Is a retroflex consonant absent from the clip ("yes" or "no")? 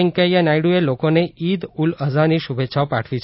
no